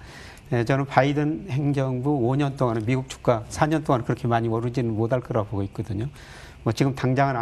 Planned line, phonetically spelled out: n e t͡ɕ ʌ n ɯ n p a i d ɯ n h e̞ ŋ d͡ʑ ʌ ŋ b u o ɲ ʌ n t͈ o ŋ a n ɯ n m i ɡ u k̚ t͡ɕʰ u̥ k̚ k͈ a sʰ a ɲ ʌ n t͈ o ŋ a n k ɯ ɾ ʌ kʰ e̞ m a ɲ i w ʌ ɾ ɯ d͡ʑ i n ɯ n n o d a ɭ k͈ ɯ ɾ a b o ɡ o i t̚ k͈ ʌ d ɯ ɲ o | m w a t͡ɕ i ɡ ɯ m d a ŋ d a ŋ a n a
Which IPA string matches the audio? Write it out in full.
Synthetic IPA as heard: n e t͡ɕ ʌ n ɯ n p a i d ɯ n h e̞ ŋ d͡ʑ ʌ ŋ b u o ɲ ʌ n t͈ o ŋ a n ɯ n m i ɡ u k̚ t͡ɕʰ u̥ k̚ k͈ a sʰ a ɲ ʌ n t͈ o ŋ a n k ɯ ɾ ʌ kʰ e̞ m a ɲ i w ʌ ɾ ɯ d͡ʑ i n ɯ n m o d a ɭ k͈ ɯ ɾ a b o ɡ o i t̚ k͈ ʌ d ɯ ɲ o | m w ʌ t͡ɕ i ɡ ɯ m t a ŋ d͡ʑ a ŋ a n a